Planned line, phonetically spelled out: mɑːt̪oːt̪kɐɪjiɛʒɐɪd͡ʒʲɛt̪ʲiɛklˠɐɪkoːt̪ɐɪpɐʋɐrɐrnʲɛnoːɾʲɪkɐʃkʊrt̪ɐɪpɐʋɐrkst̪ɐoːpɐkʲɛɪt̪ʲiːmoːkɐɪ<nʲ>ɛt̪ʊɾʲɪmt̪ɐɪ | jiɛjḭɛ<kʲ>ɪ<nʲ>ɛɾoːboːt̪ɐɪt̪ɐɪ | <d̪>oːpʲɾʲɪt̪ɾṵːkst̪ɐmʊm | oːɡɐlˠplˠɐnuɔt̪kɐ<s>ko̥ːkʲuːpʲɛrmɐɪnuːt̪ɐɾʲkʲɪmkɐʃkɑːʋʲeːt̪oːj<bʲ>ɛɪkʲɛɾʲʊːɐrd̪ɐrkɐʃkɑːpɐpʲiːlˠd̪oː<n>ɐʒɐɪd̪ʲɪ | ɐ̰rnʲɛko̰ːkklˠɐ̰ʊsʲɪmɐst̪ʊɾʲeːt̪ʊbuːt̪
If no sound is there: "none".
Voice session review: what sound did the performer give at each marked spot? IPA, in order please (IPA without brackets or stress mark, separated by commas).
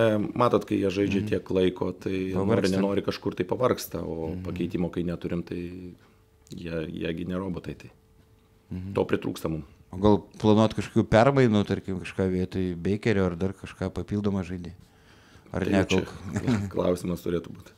nʲ, ɡʲ, nʲ, t̪, ʃ, bʲ, m